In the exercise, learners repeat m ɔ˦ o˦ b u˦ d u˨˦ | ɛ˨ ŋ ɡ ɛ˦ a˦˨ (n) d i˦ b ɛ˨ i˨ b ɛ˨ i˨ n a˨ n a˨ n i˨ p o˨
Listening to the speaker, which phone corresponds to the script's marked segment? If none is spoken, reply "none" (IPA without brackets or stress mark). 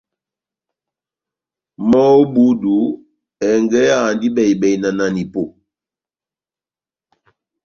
n